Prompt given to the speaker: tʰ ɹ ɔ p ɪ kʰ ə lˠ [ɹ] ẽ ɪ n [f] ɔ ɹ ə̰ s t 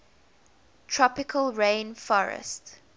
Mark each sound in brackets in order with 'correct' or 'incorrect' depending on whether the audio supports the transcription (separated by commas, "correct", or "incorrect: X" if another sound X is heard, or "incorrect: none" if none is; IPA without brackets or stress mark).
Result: correct, correct